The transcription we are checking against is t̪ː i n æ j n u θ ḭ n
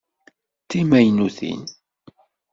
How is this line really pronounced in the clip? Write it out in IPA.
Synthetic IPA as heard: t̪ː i m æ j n u θ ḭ n